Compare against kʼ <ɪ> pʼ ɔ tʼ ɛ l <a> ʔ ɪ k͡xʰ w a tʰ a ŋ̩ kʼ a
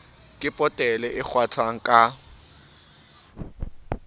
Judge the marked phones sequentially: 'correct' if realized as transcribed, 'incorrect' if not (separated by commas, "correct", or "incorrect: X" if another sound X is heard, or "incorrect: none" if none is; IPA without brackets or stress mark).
correct, incorrect: ɛ